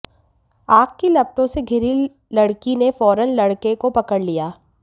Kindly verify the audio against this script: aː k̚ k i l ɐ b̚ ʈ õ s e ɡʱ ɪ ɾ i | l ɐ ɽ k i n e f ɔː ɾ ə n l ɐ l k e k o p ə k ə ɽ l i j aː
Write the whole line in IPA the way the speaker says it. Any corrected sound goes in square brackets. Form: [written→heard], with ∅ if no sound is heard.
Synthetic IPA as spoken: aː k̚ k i l ɐ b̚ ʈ õ s e ɡʱ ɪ ɾ i | l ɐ ɽ k i n e f ɔː ɾ ə n l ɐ [l→ɽ] k e k o p [ə→ɐ] k ə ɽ l i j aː